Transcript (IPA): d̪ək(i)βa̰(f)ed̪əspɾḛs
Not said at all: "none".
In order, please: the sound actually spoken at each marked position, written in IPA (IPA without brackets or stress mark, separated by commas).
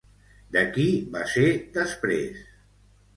i, s